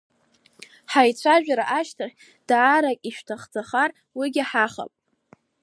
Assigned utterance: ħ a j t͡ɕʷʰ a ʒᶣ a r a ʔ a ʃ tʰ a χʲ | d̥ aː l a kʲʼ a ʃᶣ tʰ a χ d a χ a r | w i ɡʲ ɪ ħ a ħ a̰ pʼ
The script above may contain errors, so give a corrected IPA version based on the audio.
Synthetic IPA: ħ a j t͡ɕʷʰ a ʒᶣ a ɾ a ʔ a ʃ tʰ a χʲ | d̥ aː ɾ a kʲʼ i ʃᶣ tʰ a χ d͡z a χ a r | w i ɡʲ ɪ ħ a χ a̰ pʼ